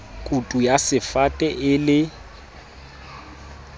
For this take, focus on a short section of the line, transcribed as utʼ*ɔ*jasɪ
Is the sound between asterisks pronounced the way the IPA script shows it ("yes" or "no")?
no